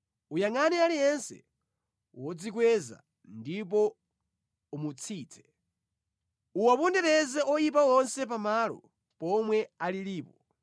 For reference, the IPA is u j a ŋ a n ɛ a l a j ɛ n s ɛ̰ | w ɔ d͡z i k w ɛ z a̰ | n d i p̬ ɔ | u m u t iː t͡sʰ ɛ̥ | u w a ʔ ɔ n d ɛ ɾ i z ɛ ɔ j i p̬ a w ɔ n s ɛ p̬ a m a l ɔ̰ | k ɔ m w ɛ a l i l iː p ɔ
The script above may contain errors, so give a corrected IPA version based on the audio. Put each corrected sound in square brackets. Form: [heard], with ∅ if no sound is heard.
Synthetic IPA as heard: u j a ŋ a n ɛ a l [i] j ɛ n s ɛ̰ | w ɔ d͡z i k w ɛ z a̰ | n d i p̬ ɔ | u m u [t͡sʰ] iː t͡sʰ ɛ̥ | u w a [p] ɔ n d ɛ ɾ [ɛ] z ɛ ɔ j i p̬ a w ɔ n s ɛ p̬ a m a l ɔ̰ | [p] ɔ m w ɛ a l i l iː p ɔ